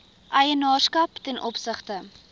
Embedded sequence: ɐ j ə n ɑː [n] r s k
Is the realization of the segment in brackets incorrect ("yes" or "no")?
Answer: yes